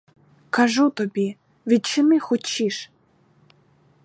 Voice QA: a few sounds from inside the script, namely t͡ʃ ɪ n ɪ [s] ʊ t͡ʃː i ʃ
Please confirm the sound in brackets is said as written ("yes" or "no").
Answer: no